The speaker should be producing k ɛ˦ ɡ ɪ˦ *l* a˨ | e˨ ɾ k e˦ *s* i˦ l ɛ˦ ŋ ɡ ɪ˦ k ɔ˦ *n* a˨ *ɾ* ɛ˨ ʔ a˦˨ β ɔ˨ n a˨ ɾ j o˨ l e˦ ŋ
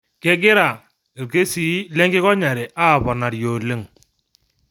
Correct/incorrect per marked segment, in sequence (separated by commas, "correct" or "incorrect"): incorrect, correct, incorrect, correct